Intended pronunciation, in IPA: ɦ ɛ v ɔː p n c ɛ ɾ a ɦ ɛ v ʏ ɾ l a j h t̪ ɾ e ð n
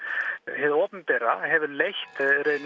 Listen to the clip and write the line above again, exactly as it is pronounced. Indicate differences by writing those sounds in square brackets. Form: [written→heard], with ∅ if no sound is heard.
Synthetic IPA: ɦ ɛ [v→ð] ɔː p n [c→p] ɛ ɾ a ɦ ɛ v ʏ ɾ l [a→e] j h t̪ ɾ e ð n